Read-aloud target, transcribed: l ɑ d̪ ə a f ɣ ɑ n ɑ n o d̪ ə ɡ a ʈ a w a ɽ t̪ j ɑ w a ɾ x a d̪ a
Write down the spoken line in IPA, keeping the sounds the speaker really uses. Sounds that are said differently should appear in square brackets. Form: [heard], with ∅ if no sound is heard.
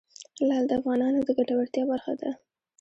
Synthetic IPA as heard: l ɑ d̪ ə a f ɣ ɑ n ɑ n o d̪ ə ɡ a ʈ a w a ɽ t̪ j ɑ [b] a ɾ x a d̪ a